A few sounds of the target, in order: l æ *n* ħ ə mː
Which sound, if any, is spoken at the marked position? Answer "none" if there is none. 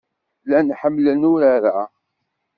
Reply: n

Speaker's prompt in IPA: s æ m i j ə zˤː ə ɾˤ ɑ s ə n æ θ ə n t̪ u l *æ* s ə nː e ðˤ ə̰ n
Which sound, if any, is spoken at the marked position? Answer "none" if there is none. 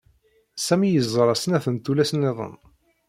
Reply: æ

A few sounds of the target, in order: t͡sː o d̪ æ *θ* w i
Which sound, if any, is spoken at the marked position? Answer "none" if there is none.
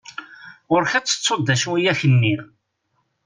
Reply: ʃ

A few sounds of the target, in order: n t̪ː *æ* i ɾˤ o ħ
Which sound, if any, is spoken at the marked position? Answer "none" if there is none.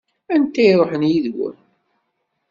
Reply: æ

